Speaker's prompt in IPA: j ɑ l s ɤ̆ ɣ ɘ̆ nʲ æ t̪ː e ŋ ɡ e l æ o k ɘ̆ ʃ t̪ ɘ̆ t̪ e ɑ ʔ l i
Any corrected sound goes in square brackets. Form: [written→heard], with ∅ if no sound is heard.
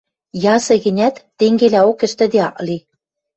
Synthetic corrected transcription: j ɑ [l→∅] s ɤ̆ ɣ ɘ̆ nʲ æ t̪ː e ŋ ɡ e l æ o k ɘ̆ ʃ t̪ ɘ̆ [t̪→d̪] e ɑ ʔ l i